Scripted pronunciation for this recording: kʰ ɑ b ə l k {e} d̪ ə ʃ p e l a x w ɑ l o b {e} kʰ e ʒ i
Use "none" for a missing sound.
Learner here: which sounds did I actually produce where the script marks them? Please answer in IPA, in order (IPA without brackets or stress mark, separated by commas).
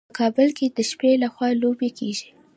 e, e